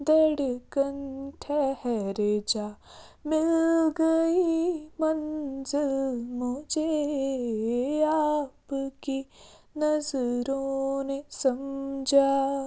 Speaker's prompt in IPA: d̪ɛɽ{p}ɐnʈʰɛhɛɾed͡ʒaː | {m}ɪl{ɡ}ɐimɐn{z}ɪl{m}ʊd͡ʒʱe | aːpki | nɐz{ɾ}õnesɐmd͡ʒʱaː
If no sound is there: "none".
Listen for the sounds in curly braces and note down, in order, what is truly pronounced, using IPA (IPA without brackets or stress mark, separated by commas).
k, m, ɡ, z, m, ɾ